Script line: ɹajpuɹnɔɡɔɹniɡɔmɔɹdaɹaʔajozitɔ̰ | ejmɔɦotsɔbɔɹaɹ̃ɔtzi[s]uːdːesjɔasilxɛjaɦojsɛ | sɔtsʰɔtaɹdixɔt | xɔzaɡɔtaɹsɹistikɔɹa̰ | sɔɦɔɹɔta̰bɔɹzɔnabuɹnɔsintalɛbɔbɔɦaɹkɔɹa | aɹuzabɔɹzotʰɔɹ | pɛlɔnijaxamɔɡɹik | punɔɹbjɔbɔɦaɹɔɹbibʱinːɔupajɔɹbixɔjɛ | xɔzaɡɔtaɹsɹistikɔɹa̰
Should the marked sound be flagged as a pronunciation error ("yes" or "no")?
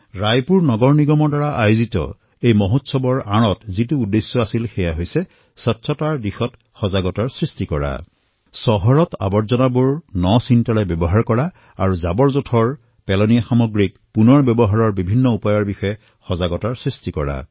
yes